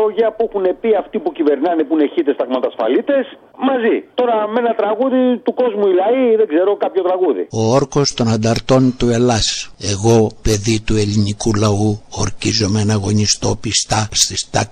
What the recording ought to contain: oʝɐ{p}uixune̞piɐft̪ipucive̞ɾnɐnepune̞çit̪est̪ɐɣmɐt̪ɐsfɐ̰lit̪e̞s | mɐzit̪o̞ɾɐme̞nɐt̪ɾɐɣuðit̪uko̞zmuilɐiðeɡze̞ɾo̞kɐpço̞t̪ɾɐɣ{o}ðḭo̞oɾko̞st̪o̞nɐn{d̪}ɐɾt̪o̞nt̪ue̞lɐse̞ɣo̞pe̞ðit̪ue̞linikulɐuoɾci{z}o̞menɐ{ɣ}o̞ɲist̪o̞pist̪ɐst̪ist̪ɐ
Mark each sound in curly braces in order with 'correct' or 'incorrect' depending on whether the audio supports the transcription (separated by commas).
correct, incorrect, correct, correct, correct